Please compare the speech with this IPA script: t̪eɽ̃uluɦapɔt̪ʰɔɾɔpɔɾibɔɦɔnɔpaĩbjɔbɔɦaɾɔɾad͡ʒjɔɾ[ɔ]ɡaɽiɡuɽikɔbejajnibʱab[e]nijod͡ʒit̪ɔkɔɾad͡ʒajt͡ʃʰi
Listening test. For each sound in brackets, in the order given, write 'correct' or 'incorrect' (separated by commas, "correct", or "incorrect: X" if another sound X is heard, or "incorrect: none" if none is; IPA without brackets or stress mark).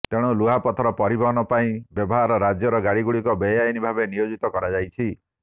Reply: correct, correct